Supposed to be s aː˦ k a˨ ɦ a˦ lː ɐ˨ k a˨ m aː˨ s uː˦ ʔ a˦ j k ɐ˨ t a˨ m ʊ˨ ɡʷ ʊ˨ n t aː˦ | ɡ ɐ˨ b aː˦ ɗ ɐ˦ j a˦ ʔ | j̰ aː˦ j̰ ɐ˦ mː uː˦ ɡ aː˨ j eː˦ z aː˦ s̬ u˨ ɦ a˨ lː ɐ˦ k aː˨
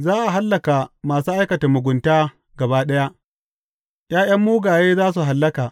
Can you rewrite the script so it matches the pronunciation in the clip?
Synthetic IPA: z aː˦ ʔ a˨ ɦ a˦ lː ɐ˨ k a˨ m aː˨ s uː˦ ʔ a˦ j k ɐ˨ t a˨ m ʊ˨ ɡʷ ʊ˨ n t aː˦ | ɡ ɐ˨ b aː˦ ɗ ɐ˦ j a˦ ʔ | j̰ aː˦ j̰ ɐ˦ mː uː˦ ɡ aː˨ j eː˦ z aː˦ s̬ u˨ ɦ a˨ lː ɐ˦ k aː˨